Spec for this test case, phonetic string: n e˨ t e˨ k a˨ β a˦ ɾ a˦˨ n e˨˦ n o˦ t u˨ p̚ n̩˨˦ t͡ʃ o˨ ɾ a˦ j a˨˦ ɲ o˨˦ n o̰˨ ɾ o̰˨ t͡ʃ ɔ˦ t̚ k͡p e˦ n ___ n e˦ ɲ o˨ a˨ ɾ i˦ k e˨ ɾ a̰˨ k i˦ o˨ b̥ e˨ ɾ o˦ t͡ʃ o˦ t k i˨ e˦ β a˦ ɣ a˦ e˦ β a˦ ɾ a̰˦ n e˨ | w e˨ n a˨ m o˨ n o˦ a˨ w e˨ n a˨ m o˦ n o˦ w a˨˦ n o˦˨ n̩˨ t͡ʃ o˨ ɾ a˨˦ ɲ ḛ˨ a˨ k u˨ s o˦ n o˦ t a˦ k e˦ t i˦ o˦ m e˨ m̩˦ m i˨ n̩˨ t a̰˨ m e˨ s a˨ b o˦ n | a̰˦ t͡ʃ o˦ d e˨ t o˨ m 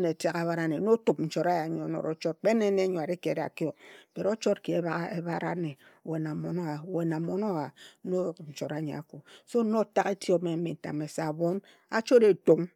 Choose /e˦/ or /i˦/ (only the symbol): e˦